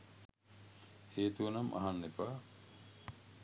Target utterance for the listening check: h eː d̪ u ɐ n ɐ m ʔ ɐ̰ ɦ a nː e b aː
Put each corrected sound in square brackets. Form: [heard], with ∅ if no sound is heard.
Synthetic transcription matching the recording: h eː [t̪] u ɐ n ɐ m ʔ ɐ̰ ɦ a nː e [p] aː